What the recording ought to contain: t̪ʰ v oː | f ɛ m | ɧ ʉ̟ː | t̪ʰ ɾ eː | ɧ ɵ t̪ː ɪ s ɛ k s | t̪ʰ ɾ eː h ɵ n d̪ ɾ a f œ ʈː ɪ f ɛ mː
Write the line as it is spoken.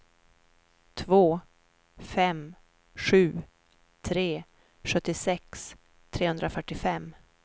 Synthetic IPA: t̪ʰ v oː | f ɛ m | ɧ ʉ̟ː | t̪ʰ ɾ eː | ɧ ɵ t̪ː ɪ s ɛ k s | t̪ʰ ɾ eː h ɵ n d̪ ɾ a f œ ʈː ɪ f ɛ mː